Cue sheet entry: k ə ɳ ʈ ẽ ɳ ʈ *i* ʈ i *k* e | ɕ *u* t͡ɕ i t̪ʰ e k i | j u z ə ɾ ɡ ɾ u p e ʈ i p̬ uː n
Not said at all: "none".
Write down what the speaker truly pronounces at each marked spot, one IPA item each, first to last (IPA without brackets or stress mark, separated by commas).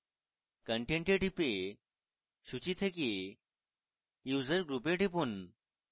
e, p, u